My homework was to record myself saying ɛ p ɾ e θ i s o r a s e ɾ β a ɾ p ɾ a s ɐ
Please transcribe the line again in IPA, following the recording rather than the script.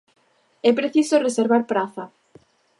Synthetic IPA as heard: ɛ p ɾ e θ i s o r e s e ɾ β a ɾ p ɾ a θ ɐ